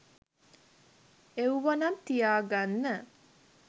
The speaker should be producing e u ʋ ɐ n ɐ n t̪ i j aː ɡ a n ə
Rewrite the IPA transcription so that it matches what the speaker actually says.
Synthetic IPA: e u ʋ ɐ n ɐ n t̪ i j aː ɡ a nː ə